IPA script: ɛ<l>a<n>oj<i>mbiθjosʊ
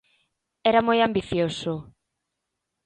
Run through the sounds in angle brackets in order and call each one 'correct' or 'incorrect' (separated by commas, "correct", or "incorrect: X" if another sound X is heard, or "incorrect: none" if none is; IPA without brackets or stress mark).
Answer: incorrect: ɾ, incorrect: m, incorrect: a